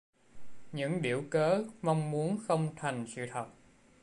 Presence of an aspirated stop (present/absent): present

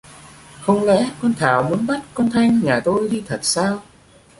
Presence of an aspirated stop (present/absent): present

